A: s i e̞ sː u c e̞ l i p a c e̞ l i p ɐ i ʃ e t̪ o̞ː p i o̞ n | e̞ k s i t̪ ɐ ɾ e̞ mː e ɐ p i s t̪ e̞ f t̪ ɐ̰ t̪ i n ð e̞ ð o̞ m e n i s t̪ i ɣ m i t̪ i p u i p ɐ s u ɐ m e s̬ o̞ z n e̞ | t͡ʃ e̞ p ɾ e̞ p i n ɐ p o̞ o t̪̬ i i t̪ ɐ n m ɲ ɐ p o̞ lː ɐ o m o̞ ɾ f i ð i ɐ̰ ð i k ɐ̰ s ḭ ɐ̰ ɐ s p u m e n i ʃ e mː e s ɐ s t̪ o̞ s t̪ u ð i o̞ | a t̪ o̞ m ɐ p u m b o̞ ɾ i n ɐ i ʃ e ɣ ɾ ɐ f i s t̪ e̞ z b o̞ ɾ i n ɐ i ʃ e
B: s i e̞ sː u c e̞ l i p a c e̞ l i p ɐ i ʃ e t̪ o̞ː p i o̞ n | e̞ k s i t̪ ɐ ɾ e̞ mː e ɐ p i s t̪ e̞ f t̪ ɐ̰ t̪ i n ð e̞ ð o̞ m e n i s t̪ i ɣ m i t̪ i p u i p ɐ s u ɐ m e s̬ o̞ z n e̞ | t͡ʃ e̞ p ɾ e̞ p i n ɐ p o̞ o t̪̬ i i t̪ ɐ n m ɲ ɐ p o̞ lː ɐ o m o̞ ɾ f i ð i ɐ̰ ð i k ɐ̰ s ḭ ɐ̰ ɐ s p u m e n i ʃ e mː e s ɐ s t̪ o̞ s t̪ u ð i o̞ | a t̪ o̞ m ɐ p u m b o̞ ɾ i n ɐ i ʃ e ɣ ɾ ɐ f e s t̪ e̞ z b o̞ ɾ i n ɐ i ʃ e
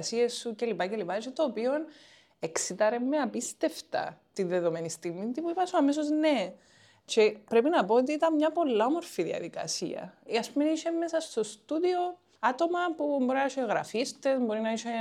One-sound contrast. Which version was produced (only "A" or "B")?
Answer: A